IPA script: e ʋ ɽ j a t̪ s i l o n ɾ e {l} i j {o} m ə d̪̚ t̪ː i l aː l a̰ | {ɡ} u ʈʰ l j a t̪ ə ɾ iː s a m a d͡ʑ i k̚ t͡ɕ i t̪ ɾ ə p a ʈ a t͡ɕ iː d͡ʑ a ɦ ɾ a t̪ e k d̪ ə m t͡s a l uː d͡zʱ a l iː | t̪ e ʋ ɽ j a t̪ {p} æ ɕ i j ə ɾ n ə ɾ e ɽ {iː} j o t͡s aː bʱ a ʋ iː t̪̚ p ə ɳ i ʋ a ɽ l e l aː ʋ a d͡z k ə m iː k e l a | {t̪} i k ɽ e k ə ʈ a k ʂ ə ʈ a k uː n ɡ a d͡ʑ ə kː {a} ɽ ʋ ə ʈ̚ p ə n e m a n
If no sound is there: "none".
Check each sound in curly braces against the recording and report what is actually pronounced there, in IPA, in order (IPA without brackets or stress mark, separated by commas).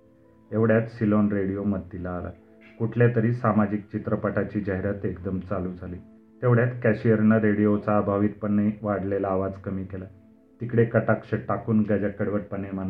ɽ, o, k, k, i, t̪, ə